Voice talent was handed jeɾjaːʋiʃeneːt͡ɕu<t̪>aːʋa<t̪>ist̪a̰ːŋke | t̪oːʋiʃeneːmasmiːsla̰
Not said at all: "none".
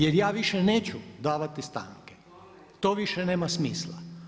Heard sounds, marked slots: d̪, t̪

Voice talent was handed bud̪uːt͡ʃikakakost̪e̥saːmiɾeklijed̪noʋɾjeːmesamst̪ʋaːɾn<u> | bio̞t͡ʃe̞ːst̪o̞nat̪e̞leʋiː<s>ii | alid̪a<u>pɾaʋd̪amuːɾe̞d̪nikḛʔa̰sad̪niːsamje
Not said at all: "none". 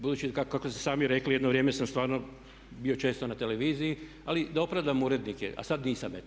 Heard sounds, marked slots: o, z, o

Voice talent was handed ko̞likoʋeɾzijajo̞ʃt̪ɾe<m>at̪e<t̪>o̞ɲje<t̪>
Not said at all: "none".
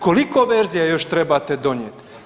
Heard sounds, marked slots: b, d̪, t̪

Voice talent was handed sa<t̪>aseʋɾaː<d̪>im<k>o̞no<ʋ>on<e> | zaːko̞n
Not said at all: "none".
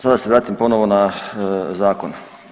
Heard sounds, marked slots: d̪, t̪, p, ʋ, a

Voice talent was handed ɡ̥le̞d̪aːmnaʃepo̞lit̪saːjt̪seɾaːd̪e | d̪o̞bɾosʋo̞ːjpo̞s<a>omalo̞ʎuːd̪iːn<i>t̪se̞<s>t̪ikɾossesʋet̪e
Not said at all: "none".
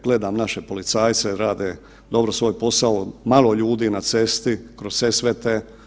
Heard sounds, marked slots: a, a, s

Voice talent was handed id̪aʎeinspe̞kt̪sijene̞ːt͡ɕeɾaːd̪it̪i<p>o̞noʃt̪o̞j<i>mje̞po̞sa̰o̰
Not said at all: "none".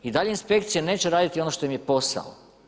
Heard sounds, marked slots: none, i

